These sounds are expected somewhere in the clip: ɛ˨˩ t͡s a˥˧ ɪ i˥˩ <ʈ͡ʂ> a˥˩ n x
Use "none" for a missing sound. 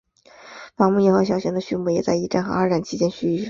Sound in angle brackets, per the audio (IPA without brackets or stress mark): ʈ͡ʂ